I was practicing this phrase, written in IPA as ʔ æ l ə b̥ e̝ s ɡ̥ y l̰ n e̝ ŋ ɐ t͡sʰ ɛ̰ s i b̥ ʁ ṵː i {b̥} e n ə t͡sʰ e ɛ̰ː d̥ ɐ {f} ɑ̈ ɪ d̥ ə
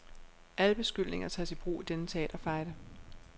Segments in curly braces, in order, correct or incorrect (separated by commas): incorrect, correct